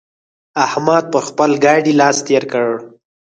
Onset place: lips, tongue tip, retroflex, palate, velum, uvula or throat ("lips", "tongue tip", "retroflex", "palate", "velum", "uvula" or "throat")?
throat